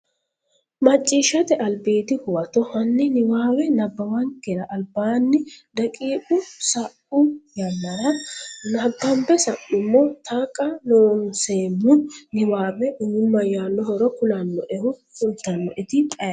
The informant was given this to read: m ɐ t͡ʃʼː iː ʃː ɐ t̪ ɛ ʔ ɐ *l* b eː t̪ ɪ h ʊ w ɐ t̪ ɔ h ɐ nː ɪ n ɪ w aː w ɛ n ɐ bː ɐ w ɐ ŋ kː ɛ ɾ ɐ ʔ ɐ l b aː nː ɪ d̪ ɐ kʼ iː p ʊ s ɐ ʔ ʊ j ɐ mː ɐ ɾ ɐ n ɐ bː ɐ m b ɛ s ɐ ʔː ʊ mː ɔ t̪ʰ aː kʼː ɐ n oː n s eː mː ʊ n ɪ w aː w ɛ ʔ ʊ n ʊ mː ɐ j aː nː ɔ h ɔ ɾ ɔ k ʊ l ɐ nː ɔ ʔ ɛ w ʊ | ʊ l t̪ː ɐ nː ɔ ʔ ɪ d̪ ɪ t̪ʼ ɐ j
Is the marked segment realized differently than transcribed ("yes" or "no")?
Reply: no